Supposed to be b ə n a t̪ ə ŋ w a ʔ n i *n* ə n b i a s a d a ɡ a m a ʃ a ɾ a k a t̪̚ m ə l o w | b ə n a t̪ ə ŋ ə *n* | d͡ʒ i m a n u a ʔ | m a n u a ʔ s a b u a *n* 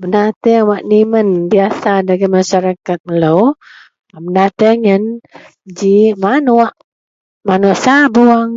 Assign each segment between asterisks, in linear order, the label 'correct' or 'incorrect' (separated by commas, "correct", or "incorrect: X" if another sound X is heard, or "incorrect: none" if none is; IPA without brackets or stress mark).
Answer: incorrect: m, correct, incorrect: ŋ